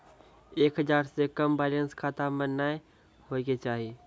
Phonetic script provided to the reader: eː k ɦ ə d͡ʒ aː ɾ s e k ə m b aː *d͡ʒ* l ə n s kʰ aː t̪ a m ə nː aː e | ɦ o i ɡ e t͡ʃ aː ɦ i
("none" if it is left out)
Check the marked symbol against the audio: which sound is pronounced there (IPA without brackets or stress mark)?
none